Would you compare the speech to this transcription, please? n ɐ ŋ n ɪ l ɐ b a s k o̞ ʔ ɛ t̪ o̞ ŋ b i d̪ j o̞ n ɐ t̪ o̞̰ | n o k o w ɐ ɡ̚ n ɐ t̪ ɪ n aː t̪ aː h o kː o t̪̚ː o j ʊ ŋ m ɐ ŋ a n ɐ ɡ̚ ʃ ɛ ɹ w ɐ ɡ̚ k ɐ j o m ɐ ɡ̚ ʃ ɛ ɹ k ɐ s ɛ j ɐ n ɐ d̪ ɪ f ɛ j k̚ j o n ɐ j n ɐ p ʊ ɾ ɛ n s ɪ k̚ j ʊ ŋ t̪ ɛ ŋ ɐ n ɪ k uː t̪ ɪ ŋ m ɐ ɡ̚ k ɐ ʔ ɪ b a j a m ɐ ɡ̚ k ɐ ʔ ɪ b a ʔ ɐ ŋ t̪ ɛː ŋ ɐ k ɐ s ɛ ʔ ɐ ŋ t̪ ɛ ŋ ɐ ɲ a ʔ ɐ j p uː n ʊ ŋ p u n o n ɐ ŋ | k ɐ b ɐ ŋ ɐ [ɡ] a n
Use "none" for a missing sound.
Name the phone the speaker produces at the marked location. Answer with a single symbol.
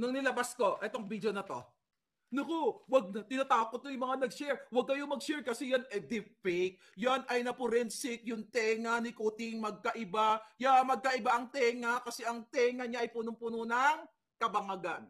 ɡ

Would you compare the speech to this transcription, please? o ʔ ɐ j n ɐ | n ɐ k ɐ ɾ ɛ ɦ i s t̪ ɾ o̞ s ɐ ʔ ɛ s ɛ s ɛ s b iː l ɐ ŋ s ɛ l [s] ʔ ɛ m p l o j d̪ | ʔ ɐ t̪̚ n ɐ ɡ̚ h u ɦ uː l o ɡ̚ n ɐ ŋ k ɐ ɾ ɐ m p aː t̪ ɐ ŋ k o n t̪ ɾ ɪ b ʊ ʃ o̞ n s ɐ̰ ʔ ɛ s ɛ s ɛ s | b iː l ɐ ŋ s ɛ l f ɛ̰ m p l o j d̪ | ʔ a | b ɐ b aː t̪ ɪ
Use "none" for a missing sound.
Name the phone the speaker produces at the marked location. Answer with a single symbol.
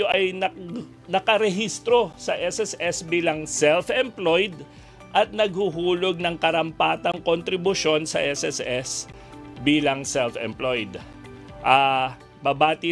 f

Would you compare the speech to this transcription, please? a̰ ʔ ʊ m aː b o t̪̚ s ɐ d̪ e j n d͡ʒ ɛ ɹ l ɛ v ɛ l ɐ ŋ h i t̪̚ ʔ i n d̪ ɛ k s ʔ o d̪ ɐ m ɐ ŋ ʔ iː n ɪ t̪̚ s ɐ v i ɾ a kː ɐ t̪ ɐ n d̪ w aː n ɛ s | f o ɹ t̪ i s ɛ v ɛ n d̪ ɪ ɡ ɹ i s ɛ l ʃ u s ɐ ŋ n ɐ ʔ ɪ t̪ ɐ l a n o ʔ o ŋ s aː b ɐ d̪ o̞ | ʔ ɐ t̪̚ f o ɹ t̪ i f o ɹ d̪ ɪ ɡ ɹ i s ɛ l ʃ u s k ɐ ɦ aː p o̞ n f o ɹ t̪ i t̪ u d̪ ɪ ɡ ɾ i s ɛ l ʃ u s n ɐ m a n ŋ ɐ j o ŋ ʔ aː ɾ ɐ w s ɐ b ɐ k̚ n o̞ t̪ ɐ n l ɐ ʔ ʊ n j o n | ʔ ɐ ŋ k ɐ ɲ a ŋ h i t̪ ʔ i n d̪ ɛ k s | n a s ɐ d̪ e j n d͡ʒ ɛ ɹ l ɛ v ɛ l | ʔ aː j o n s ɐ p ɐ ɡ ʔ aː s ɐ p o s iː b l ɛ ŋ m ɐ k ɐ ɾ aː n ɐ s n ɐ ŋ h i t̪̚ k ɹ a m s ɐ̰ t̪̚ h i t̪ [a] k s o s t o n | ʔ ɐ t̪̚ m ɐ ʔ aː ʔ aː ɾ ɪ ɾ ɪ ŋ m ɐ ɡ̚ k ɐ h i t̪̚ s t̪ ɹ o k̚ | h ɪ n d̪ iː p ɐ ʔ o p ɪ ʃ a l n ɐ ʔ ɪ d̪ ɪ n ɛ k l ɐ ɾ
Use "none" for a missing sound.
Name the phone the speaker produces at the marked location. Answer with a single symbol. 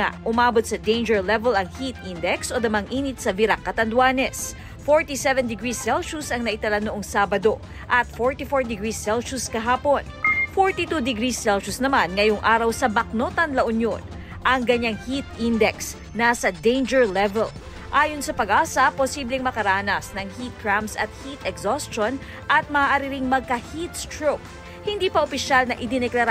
ɛ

